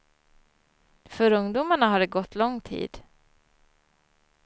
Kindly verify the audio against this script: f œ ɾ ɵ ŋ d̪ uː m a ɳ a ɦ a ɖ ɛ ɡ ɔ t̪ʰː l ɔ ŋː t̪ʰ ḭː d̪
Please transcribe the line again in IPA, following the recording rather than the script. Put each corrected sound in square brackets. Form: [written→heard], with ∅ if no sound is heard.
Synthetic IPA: f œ ɾ ɵ ŋ d̪ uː m a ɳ a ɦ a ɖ ɛ ɡ ɔ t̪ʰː l ɔ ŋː t̪ʰ ḭː d̪